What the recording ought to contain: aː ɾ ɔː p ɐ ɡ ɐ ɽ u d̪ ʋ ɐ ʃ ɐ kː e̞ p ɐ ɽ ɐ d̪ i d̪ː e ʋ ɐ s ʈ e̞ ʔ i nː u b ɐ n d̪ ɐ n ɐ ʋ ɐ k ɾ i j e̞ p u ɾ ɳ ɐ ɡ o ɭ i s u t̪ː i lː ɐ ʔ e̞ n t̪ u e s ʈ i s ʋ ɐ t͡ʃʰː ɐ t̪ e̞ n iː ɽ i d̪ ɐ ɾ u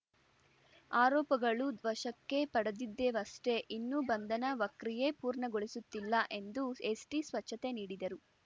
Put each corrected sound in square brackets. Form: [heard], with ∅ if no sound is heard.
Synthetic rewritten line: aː ɾ ɔː p ɐ ɡ ɐ [ɭ] u d̪ ʋ ɐ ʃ ɐ kː e̞ p ɐ ɽ ɐ d̪ i d̪ː e ʋ ɐ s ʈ e̞ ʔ i nː u b ɐ n d̪ ɐ n ɐ ʋ ɐ k ɾ i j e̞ p [uː] ɾ ɳ ɐ ɡ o ɭ i s u t̪ː i lː ɐ ʔ e̞ n [d̪] u e s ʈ i s ʋ ɐ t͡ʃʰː ɐ t̪ e̞ n iː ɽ i d̪ ɐ ɾ u